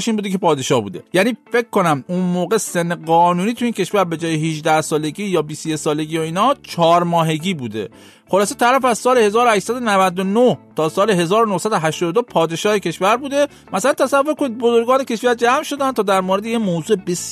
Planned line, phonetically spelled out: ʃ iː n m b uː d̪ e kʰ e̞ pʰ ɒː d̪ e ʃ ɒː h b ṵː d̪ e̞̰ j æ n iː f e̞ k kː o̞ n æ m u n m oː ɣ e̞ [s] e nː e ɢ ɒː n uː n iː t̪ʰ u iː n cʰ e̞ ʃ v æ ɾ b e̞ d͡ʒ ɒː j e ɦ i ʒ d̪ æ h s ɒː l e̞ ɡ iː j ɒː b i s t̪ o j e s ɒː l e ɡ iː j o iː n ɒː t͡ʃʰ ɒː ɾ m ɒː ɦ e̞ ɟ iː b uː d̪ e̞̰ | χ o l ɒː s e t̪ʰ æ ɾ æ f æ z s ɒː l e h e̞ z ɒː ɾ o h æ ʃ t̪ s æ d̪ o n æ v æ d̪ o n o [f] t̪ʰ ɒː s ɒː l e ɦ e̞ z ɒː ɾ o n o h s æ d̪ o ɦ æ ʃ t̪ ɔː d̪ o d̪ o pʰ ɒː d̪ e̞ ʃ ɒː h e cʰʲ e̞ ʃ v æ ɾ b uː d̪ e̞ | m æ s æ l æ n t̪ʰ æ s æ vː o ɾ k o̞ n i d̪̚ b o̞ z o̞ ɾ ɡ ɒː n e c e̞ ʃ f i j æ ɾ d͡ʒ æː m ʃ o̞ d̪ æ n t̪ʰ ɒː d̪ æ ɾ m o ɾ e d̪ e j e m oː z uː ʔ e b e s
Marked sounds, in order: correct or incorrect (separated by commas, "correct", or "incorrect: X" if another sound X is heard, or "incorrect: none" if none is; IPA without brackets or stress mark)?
correct, incorrect: h